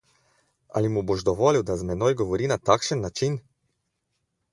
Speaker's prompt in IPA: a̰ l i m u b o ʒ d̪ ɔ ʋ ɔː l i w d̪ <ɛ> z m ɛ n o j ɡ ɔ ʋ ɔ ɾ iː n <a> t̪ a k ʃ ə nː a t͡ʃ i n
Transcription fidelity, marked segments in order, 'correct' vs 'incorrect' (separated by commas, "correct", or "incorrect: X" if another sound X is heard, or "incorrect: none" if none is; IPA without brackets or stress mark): incorrect: a, correct